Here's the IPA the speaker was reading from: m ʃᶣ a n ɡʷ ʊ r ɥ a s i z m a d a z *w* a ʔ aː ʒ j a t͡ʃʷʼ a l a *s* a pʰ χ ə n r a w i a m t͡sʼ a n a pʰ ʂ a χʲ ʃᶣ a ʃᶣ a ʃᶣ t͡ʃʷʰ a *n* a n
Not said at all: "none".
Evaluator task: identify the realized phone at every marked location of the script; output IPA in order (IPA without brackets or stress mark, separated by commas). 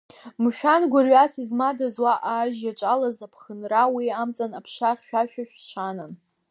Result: w, z, n